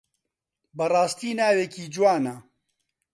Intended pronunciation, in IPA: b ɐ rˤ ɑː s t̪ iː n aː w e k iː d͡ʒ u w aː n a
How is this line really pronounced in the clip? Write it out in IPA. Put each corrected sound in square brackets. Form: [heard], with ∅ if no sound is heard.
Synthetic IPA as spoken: b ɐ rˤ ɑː s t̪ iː n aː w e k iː d͡ʒ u w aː n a